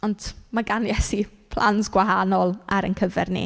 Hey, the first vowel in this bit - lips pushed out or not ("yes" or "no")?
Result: yes